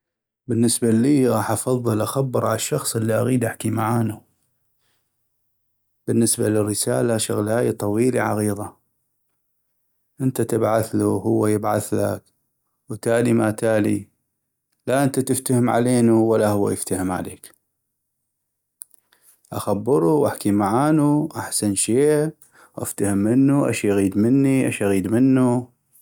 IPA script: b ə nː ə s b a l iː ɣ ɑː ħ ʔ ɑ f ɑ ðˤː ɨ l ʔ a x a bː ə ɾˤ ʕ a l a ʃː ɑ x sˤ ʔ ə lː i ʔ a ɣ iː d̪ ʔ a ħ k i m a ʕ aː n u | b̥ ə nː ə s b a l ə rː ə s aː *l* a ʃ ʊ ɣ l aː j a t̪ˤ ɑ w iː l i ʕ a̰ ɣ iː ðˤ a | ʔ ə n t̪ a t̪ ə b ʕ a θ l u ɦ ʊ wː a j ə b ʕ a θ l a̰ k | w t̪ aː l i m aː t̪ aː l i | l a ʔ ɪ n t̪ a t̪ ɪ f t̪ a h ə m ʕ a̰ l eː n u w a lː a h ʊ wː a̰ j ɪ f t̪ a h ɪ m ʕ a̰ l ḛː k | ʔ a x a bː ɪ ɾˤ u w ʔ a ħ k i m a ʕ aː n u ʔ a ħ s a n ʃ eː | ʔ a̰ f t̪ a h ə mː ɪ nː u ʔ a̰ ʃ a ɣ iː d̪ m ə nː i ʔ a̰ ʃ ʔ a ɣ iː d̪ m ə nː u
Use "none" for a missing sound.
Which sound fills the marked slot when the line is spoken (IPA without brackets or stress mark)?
l